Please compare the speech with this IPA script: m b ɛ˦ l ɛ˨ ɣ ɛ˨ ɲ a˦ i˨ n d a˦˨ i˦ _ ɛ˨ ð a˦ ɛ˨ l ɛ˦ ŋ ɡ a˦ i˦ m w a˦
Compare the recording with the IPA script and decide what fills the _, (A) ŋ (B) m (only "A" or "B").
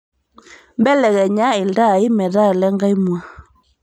B